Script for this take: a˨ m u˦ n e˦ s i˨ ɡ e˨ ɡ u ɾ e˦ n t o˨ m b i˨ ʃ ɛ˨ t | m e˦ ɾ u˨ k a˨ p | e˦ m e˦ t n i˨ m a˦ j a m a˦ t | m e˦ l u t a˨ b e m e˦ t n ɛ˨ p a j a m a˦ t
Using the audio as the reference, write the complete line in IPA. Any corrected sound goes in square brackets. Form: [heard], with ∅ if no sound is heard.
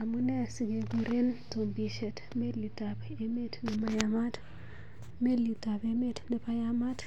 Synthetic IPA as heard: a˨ m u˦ n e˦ s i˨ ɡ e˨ ɡ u ɾ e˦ n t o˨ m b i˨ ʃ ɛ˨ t | m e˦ [l] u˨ [t] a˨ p | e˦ m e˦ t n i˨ m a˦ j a m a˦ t | m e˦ l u t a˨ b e m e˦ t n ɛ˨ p a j a m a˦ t